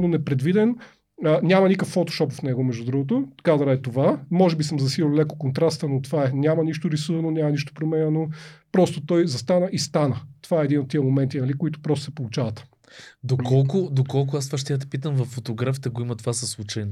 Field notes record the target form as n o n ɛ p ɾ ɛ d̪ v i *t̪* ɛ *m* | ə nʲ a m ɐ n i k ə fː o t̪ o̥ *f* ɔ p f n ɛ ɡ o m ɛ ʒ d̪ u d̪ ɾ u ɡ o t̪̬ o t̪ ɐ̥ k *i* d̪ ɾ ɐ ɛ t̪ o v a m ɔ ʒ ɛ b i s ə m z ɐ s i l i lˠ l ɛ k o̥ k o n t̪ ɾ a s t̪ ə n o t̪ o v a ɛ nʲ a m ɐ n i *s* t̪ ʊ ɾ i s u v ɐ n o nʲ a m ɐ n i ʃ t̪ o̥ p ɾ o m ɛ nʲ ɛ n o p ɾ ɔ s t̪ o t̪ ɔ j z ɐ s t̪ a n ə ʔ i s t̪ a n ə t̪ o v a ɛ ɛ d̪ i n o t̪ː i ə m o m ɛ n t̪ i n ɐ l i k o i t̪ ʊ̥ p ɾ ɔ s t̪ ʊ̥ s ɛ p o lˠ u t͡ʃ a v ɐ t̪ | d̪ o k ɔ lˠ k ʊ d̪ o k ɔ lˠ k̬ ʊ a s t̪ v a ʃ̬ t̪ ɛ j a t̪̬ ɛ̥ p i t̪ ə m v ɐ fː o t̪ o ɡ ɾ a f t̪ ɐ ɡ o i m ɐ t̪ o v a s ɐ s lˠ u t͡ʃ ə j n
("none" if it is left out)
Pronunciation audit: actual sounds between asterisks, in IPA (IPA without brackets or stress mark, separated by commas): d̪, n, ʃ, a, ʃ